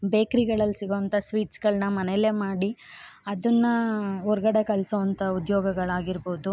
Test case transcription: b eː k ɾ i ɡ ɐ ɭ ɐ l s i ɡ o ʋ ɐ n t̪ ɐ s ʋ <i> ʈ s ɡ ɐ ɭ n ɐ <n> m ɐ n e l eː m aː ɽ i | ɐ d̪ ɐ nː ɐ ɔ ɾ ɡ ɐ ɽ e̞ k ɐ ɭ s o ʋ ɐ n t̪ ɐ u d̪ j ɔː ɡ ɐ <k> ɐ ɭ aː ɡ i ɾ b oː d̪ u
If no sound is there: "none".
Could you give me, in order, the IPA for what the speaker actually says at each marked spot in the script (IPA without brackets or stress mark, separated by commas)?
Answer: iː, none, ɡ